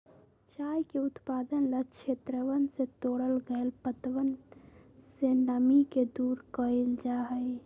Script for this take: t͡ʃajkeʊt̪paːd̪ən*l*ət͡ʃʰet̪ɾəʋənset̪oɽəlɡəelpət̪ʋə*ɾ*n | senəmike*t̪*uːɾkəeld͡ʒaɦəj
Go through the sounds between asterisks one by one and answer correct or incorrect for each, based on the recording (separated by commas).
correct, incorrect, incorrect